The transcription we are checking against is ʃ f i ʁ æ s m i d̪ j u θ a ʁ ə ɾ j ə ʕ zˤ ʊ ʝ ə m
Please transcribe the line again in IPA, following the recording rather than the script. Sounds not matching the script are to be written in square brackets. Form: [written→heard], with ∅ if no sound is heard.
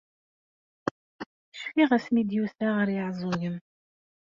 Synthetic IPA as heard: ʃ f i ʁ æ s m i d̪ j u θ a ʁ ə ɾ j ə ʕ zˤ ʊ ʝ ə m